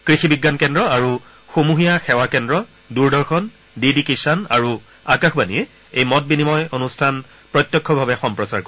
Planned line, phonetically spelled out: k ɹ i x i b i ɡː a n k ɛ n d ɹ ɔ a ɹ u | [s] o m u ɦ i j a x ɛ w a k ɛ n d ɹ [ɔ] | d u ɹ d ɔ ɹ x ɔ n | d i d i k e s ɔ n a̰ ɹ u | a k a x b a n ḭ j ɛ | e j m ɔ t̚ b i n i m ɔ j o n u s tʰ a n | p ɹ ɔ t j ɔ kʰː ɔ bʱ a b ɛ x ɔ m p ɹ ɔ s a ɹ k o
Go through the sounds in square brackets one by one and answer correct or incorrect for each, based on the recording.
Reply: incorrect, correct

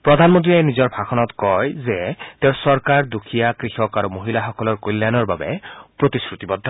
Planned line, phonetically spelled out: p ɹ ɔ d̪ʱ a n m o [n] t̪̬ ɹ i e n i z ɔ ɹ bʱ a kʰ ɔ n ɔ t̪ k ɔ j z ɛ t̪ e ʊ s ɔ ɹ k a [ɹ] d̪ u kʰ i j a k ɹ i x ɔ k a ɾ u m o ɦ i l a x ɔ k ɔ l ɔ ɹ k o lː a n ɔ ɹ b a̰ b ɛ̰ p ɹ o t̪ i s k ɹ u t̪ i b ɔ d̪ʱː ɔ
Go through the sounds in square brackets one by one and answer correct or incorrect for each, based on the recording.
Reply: correct, correct

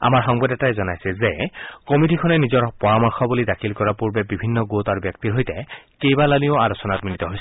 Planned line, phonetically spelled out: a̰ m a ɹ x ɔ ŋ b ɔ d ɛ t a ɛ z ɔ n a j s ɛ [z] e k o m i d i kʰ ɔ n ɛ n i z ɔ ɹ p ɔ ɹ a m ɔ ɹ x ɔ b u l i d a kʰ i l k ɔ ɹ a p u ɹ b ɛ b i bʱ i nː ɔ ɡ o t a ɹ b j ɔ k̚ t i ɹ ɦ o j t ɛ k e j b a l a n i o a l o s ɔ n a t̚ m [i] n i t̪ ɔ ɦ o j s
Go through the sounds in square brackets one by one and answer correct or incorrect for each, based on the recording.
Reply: correct, correct

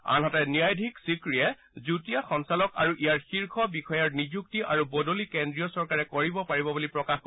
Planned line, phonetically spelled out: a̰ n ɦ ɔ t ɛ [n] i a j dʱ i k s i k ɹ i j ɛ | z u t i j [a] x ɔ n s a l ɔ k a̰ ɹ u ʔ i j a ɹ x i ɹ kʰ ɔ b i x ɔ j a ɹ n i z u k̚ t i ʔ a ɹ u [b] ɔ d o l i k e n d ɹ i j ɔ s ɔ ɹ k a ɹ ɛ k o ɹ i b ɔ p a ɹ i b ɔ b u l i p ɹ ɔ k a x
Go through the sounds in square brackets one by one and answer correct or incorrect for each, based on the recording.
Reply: correct, correct, correct

